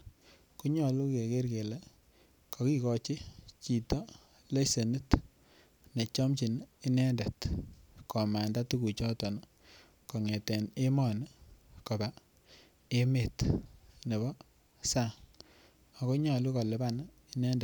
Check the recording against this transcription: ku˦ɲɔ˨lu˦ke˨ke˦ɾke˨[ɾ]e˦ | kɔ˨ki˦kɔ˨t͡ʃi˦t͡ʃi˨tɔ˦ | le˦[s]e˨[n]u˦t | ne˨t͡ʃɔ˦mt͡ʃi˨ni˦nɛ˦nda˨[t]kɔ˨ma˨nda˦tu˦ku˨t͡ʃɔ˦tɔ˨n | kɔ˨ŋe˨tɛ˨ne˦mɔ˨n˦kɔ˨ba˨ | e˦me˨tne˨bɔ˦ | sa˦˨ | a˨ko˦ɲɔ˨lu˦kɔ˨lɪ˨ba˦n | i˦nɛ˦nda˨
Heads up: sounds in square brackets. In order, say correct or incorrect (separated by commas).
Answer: incorrect, correct, correct, correct